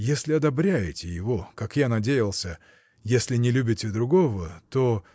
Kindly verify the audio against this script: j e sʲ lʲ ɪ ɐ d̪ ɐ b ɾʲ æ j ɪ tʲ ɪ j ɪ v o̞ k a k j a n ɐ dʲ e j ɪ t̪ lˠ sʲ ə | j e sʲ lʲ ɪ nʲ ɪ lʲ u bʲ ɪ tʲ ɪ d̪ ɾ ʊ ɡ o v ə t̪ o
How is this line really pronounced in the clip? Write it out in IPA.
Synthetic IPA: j e sʲ lʲ ɪ ɐ d̪ ɐ b ɾʲ æ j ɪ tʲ ɪ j ɪ v o̞ k a k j a n ɐ dʲ e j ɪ lˠ sʲ ə | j e sʲ lʲ ɪ nʲ ɪ lʲ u bʲ ɪ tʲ ɪ d̪ ɾ ʊ ɡ o v ə t̪ o